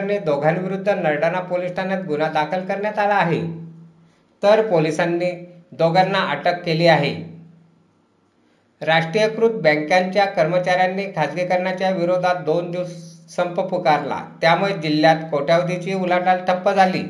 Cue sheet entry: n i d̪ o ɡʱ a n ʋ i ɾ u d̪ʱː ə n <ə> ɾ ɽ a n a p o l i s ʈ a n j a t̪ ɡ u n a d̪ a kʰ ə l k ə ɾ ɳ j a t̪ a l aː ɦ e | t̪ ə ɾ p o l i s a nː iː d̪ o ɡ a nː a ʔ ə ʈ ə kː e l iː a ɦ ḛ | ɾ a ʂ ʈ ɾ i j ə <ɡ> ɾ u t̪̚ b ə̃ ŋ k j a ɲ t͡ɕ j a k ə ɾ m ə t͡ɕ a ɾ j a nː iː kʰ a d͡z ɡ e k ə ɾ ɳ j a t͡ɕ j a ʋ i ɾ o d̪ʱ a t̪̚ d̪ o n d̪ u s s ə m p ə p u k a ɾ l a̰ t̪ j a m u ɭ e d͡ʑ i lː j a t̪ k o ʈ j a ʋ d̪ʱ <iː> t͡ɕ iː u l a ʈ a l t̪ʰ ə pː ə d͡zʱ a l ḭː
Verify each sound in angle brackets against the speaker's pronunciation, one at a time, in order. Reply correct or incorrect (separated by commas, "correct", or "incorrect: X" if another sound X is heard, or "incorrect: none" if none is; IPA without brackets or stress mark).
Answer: correct, incorrect: k, incorrect: i